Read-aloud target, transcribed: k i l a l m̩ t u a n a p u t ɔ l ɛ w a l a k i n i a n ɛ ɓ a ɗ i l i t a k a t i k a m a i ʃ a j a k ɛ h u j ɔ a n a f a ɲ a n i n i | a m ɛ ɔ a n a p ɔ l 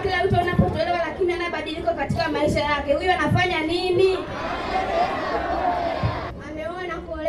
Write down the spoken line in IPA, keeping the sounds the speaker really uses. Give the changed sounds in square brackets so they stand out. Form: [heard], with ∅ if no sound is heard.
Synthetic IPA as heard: k i l a [∅] m̩ t u a n a p [ɔ] t ɔ l ɛ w a l a k i n i a n [a] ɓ a ɗ i l i [k] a k a t i k a m a i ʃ a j a k ɛ h u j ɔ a n a f a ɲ a n i n i | a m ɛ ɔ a n a [k] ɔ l